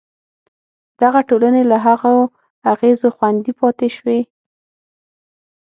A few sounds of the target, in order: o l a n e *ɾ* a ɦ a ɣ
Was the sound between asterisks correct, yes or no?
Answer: no